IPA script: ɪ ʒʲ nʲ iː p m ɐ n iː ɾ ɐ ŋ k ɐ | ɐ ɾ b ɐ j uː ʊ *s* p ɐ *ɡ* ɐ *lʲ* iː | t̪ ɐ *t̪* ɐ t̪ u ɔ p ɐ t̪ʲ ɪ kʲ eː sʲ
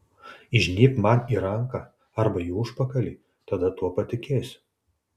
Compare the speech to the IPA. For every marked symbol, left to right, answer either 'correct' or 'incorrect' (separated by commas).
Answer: incorrect, incorrect, correct, incorrect